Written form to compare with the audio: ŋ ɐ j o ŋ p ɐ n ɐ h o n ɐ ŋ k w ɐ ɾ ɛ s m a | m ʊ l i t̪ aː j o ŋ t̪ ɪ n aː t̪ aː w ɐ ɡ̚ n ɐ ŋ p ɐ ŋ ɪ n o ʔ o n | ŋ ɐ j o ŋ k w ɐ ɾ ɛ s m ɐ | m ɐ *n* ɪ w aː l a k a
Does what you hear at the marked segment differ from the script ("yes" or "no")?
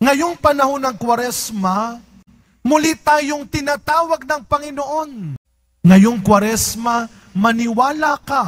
no